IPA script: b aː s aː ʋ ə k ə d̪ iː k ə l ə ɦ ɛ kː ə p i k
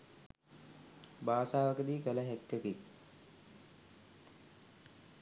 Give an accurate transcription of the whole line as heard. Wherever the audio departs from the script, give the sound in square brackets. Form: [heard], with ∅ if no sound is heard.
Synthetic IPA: b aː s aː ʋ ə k ə d̪ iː k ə l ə ɦ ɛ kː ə [k] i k